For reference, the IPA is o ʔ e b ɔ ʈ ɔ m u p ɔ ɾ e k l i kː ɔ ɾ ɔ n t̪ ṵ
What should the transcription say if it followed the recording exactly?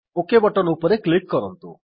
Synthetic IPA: o k e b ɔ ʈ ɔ n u p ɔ ɾ e k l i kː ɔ ɾ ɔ n t̪ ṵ